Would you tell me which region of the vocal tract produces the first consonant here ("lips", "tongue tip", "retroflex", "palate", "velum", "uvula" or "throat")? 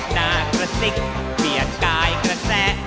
tongue tip